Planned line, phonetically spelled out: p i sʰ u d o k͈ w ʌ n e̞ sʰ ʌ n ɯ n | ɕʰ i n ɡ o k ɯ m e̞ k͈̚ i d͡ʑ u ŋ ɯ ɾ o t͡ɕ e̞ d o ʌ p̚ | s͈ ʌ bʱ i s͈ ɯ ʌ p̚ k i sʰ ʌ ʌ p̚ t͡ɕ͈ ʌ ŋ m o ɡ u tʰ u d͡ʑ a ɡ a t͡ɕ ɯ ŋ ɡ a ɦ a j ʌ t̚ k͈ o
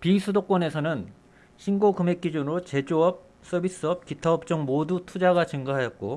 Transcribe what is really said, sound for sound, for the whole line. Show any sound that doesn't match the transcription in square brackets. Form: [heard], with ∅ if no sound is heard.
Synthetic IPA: p i sʰ u d o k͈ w ʌ n e̞ sʰ ʌ n ɯ n | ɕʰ i n ɡ o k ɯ m e̞ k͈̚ i d͡ʑ u [n] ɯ ɾ o t͡ɕ e̞ [d͡ʑ] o ʌ p̚ | s͈ ʌ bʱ i s͈ ɯ ʌ p̚ k i [tʰ] ʌ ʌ p̚ t͡ɕ͈ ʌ ŋ m o [d] u tʰ u d͡ʑ a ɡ a t͡ɕ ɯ ŋ ɡ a ɦ a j ʌ t̚ k͈ o